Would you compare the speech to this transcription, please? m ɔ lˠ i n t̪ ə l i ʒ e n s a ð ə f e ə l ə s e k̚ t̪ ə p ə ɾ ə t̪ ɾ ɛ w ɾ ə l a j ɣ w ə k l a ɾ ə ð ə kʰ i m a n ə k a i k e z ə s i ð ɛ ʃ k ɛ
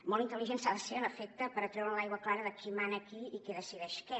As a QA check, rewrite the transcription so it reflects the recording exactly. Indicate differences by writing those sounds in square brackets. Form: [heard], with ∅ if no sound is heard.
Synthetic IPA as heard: m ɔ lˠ i n t̪ ə l i ʒ e n s a ð ə [s] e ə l ə [f] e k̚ t̪ ə p ə ɾ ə t̪ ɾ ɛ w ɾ ə l a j ɣ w ə k l a ɾ ə ð ə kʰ i m a n ə k [i] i k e [ð] ə s i ð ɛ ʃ k ɛ